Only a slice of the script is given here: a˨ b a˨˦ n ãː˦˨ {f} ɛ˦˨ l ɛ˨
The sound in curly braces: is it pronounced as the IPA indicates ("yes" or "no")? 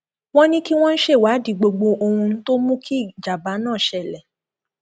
no